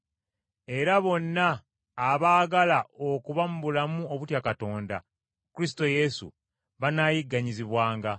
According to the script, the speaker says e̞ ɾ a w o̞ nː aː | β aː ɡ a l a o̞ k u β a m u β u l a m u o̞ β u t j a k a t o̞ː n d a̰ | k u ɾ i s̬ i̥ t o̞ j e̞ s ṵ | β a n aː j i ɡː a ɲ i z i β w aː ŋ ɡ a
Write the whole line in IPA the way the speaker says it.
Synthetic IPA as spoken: e̞ ɾ a β o̞ nː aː | β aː ɡ a l a o̞ k u β a m u β u l a m u o̞ β u t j a k a t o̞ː n d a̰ | k u ɾ i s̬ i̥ t o̞ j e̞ s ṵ | β a n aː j i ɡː a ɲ i z i β w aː ŋ ɡ a